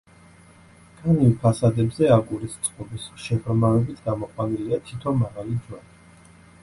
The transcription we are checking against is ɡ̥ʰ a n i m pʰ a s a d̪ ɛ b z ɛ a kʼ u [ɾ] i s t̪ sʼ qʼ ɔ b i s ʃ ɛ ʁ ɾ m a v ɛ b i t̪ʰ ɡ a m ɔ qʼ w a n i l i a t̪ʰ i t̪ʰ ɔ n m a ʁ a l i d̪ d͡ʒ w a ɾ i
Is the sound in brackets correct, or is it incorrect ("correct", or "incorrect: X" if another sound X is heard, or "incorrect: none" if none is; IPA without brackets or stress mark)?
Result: correct